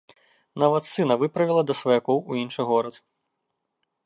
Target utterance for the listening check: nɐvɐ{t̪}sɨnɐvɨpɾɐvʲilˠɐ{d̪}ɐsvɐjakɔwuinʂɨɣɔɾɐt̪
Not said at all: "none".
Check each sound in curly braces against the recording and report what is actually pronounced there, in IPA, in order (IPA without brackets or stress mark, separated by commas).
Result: t̪, d̪